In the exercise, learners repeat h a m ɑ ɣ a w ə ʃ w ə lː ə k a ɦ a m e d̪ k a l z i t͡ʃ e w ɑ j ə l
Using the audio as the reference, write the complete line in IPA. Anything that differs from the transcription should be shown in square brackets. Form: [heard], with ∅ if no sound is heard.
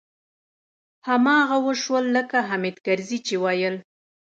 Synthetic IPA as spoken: h a m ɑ ɣ a w ə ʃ w ə lː ə k a ɦ a m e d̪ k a [ɾ] z i t͡ʃ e w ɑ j ə l